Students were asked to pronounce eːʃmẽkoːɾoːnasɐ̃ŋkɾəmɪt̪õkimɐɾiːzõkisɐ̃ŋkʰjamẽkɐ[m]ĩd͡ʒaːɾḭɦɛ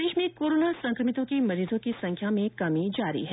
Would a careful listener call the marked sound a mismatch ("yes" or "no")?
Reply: no